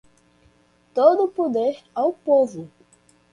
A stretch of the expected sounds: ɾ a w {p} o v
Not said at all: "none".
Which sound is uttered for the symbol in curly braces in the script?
p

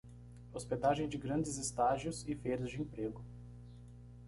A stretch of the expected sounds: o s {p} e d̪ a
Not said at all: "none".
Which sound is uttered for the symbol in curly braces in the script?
p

